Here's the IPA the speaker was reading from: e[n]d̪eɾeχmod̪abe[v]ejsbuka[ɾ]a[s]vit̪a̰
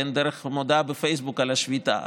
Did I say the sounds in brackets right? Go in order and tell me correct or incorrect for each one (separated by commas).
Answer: correct, incorrect, incorrect, incorrect